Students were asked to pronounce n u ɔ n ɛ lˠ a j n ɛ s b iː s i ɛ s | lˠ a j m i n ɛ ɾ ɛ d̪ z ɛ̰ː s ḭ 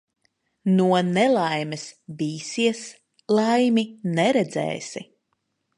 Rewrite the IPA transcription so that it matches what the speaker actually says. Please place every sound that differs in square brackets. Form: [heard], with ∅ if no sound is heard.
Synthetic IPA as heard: n u ɔ n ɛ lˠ a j [m] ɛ s b iː s i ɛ s | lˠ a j m i n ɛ ɾ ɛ d̪ z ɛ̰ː s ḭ